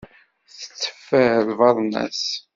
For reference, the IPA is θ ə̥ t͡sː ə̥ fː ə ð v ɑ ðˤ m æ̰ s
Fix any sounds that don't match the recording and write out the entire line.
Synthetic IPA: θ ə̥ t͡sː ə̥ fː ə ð v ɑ ðˤ n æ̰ s